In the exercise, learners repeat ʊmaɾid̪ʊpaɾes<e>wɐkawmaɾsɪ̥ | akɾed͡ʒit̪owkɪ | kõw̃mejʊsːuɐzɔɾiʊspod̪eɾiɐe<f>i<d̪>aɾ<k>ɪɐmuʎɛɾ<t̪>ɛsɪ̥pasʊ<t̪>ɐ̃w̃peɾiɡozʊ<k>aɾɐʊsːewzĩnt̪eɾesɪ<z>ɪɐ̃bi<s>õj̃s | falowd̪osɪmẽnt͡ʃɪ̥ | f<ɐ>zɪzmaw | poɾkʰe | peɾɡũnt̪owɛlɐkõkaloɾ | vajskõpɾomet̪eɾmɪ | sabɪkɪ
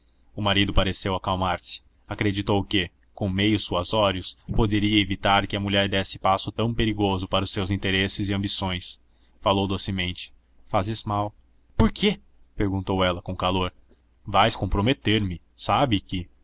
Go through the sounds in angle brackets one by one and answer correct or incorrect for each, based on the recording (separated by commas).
correct, incorrect, incorrect, correct, incorrect, correct, incorrect, correct, correct, incorrect